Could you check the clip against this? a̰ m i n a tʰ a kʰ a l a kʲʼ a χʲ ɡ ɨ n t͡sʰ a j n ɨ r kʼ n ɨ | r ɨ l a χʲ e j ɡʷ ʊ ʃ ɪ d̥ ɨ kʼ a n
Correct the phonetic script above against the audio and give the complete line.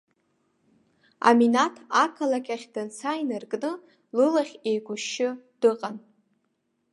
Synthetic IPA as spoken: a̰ m i n a tʰ a kʰ a l a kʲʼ a χʲ d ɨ n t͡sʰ a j n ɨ r kʼ n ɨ | l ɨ l a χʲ e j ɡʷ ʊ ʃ ɪ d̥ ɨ qʼ a n